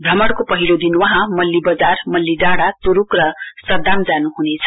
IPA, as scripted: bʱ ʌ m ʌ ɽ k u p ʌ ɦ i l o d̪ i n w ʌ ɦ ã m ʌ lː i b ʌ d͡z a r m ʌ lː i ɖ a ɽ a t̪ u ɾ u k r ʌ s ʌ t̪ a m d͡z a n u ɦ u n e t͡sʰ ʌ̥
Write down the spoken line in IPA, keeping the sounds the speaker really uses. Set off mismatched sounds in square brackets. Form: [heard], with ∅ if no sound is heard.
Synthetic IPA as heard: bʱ ʌ m ʌ ɽ k [o] p ʌ ɦ i l o d̪ i n w ʌ ɦ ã m ʌ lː i b ʌ d͡z a r m ʌ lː i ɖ a ɽ a t̪ u ɾ u k r ʌ s ʌ [d̪] a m d͡z a n u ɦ u n e t͡sʰ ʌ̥